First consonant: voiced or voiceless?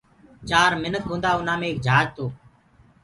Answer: voiceless